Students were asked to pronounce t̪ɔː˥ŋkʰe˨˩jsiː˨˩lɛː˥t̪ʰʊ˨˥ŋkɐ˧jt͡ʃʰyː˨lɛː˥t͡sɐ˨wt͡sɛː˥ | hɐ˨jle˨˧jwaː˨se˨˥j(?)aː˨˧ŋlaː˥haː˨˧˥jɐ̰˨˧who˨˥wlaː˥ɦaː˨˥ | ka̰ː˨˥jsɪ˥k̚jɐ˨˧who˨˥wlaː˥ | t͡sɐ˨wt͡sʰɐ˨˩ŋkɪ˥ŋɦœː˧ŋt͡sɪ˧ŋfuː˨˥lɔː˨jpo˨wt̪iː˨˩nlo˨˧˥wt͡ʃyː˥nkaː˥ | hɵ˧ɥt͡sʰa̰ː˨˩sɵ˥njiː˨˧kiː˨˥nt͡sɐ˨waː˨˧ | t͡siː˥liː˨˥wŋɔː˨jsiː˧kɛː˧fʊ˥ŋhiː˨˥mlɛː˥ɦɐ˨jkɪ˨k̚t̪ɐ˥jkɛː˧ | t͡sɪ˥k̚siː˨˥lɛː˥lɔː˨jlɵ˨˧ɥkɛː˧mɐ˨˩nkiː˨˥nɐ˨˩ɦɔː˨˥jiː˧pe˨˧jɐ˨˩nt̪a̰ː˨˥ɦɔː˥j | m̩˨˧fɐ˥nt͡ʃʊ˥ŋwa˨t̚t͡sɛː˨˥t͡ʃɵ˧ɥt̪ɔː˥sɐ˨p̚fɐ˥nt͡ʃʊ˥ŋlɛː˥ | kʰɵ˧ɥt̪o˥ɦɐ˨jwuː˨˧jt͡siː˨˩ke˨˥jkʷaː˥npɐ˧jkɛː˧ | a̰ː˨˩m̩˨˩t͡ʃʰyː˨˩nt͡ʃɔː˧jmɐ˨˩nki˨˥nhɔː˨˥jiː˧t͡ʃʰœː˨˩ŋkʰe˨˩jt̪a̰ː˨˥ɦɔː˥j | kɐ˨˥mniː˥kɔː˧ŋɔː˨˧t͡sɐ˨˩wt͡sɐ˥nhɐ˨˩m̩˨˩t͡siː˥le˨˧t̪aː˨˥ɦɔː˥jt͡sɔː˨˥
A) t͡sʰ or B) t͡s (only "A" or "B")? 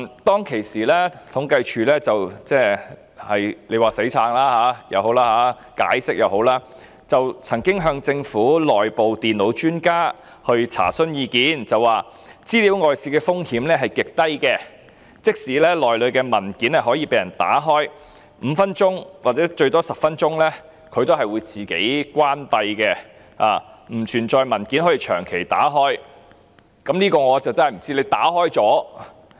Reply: A